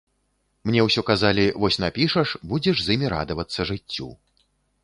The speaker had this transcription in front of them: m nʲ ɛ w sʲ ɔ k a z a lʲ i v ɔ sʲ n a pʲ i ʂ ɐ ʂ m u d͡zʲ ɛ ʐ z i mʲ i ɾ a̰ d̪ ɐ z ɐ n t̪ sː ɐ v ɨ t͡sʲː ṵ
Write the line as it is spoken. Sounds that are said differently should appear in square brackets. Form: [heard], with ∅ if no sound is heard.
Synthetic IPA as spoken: m nʲ ɛ w sʲ ɔ k a z a lʲ i v ɔ sʲ n a pʲ i ʂ ɐ ʂ [b] u d͡zʲ ɛ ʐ z i mʲ i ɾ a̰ d̪ ɐ [v] ɐ [∅] t̪ sː ɐ [ʐ] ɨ t͡sʲː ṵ

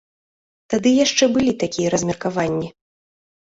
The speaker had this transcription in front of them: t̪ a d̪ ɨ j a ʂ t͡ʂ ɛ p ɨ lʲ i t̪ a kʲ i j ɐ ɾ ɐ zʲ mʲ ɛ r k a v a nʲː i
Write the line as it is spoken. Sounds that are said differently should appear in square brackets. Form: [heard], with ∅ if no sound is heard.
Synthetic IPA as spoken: t̪ a d̪ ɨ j a ʂ t͡ʂ ɛ [b] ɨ lʲ i t̪ a kʲ i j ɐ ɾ ɐ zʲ mʲ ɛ r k a v a nʲː i

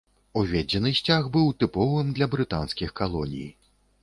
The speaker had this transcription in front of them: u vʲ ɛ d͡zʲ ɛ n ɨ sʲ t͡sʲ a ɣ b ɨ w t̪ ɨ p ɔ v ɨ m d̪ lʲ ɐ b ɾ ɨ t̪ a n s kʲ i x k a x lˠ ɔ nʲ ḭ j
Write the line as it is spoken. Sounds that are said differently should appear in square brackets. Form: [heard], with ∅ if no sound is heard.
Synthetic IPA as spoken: u vʲ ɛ d͡zʲ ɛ n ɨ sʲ t͡sʲ a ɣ b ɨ w t̪ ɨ p ɔ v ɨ m d̪ lʲ ɐ b ɾ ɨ t̪ a n s kʲ i x k a [∅] lˠ ɔ nʲ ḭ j

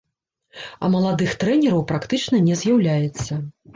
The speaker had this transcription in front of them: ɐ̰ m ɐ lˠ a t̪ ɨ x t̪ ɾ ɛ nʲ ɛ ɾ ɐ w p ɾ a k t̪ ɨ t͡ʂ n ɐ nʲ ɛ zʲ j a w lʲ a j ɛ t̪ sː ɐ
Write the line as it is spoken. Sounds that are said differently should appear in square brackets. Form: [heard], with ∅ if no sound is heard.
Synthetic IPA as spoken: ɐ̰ m ɐ lˠ a [d̪] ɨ x t̪ ɾ ɛ nʲ ɛ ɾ ɐ w p ɾ a k t̪ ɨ t͡ʂ n ɐ nʲ ɛ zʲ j a w lʲ a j ɛ t̪ sː ɐ

